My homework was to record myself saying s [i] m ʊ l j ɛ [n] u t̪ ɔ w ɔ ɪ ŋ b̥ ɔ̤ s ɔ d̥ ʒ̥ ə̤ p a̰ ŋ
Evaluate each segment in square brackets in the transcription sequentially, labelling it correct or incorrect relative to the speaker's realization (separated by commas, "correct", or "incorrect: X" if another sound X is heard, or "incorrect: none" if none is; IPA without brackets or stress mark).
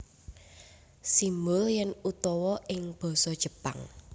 correct, correct